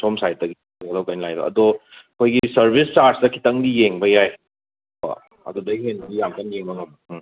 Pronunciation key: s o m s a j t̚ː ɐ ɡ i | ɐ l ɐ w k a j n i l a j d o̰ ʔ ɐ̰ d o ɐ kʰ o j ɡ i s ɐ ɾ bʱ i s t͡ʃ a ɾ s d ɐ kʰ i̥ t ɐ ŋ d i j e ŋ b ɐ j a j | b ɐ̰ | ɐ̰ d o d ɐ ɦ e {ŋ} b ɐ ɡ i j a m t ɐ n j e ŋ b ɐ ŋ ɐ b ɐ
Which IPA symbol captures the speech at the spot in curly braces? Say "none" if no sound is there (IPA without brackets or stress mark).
n